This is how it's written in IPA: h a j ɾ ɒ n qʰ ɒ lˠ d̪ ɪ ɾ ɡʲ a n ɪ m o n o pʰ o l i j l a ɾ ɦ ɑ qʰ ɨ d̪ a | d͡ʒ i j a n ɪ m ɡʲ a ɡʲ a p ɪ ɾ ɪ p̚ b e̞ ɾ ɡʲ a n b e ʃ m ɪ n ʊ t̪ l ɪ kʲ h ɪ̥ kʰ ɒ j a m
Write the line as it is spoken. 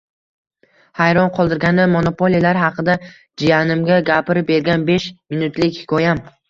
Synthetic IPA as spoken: h a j ɾ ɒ n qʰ ɒ lˠ d̪ ɪ ɾ ɡʲ a n ɪ m o n o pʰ o l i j l a ɾ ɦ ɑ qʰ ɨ d̪ a | d͡ʒ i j a n ɪ m ɡʲ a ɡʲ a p ɪ ɾ ɪ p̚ b e̞ ɾ ɡʲ a n b e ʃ m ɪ n ʊ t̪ l ɪ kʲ h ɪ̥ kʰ ɒ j a m